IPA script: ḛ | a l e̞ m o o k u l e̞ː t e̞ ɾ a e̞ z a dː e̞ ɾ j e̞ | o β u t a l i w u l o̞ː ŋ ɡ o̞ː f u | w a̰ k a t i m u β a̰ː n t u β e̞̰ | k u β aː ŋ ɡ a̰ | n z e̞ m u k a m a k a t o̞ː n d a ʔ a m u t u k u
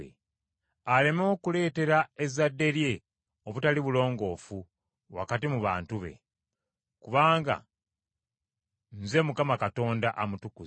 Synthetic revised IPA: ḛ | a l e̞ m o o k u l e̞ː t e̞ ɾ a e̞ z a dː e̞ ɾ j e̞ | o β u t a l i β u l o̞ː ŋ ɡ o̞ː f u | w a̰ k a t i m u β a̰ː n t u β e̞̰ | k u β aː ŋ ɡ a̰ | n z e̞ m u k a m a k a t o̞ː n d a ʔ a m u t u k u